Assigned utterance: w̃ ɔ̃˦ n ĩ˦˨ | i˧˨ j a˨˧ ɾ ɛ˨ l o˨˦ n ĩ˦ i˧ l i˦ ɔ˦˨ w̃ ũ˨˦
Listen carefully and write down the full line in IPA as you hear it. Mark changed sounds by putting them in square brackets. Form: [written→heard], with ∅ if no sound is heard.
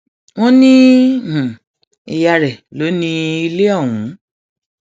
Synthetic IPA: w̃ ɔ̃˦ n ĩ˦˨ | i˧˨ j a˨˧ ɾ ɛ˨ l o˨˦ n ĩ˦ i˧ l [i˦→e˦] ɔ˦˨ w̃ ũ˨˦